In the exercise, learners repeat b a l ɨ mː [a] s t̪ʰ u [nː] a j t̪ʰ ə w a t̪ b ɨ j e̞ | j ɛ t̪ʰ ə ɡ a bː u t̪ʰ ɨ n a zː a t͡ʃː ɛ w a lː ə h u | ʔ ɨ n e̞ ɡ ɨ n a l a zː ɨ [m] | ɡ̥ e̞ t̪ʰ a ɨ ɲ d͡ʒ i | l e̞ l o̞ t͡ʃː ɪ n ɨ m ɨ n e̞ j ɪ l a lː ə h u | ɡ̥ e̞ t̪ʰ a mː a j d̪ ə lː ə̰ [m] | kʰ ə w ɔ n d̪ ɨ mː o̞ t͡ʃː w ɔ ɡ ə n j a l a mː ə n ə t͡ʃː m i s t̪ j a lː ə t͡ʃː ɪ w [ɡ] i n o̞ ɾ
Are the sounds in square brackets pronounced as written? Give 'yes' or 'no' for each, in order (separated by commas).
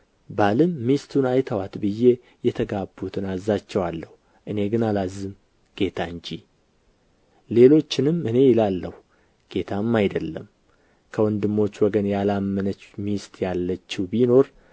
no, no, yes, yes, no